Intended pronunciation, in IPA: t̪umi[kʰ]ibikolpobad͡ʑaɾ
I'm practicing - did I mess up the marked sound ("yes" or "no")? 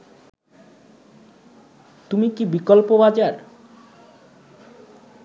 yes